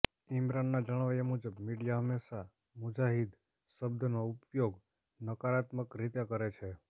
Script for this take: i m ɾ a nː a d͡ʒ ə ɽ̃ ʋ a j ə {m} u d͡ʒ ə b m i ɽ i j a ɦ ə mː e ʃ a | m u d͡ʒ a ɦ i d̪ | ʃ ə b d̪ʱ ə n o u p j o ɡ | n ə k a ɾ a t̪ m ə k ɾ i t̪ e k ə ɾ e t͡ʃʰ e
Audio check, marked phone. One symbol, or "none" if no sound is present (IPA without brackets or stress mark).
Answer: m